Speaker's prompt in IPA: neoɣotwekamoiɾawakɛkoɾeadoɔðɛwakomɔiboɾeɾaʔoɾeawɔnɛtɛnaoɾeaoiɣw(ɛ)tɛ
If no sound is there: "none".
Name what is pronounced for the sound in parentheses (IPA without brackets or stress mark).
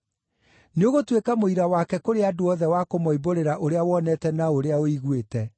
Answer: e